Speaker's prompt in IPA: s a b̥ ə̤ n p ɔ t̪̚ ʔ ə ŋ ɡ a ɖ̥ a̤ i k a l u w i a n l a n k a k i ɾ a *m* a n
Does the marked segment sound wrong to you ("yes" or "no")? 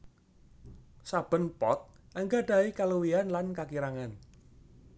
yes